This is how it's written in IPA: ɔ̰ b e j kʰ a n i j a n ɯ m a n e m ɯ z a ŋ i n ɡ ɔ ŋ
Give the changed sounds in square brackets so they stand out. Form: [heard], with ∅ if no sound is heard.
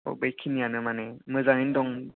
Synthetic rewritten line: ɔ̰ b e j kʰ [i] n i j a n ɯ m a n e m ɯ z a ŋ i n [d] ɔ ŋ

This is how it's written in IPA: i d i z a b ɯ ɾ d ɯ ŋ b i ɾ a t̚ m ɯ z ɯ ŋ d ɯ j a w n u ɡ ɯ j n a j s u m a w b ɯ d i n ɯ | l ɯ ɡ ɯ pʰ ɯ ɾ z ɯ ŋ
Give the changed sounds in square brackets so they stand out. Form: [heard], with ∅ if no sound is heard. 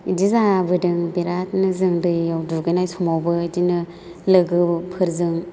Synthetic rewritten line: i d i z a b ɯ [∅] d ɯ ŋ b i ɾ a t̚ [n] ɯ z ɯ ŋ d ɯ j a w [d] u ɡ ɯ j n a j s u m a w b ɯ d i n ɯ | l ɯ ɡ ɯ pʰ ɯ ɾ z ɯ ŋ

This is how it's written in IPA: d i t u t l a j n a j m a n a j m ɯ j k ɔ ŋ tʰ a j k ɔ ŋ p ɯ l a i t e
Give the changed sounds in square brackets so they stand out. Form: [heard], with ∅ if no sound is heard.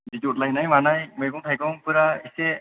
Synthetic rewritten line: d i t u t l a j n a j m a n a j m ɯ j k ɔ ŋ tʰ a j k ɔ ŋ p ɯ [ɾ] a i [s] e

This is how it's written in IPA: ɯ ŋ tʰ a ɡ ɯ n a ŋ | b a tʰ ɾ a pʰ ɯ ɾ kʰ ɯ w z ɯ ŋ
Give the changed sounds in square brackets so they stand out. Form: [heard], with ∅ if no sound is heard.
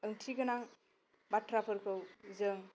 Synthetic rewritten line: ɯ ŋ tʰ [i] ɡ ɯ n a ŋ | b a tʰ ɾ a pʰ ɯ ɾ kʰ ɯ w z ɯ ŋ

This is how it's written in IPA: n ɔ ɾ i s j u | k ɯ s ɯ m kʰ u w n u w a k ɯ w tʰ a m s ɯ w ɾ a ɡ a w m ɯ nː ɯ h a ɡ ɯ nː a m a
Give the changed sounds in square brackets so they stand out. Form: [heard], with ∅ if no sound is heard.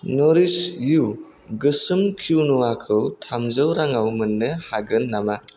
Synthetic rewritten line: n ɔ ɾ i s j u | [ɡ] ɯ s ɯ m kʰ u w n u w a [kʰ] ɯ w tʰ a m [z] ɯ w ɾ a [ŋ] a w m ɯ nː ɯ h a ɡ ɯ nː a m a

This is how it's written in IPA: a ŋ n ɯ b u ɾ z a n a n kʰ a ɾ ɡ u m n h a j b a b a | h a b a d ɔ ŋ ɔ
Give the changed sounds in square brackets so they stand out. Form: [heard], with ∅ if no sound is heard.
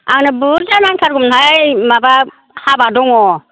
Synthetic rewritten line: a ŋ n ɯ b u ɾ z a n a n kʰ a ɾ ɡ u m n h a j [m] a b a | h a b a d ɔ ŋ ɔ

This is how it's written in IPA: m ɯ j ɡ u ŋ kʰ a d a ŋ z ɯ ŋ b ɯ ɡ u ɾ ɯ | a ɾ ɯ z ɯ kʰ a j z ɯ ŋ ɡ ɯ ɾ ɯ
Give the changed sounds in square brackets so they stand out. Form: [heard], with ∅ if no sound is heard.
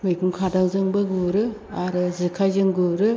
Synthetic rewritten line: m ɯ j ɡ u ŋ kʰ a d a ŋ z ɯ ŋ b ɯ ɡ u ɾ ɯ | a ɾ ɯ z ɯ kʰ a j z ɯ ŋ ɡ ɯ ɾ ɯ

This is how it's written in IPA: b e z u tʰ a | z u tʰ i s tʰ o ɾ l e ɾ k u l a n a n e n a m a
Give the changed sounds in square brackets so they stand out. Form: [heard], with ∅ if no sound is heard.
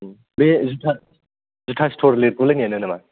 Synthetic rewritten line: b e z u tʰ a | z u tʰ [a] s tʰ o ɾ l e ɾ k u l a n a n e n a m a

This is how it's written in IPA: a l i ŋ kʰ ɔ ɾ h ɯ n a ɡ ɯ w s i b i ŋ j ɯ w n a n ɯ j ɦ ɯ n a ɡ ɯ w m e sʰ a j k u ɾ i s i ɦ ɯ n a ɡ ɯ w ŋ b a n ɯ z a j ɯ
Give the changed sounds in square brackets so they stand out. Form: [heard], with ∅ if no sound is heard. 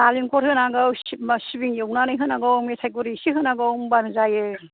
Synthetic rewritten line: a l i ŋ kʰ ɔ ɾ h ɯ n a ɡ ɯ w s i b i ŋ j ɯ w n a n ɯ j ɦ ɯ n a ɡ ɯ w m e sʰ a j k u ɾ i s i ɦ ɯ n a ɡ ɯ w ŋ b a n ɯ z a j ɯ

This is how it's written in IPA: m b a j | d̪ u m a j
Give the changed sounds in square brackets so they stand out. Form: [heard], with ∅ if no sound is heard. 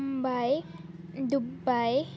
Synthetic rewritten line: m b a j | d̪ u [b] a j

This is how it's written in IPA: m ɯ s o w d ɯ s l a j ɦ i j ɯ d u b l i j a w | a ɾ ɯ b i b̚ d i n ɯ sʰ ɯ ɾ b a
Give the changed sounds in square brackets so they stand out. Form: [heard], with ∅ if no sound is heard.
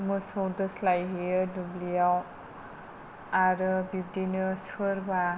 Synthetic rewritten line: m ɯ s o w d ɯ s l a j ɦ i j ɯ d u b l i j a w | a ɾ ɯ b i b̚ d i n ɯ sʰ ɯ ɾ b a

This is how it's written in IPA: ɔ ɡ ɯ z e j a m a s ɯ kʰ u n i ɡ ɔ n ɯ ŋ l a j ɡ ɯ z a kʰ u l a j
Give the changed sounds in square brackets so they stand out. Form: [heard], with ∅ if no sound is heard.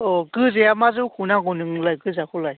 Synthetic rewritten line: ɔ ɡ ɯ z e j a m a [z] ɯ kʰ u n [a] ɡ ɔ n ɯ ŋ l a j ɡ ɯ z a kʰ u l a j

